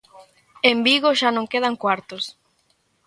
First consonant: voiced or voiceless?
voiced